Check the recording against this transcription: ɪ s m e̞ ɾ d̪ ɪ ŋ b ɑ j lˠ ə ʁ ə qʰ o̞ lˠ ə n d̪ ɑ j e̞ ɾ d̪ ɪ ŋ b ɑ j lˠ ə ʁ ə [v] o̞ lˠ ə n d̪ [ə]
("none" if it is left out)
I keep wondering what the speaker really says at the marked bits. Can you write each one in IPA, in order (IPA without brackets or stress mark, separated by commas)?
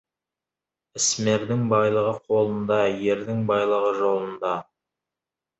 ʒ, ɑ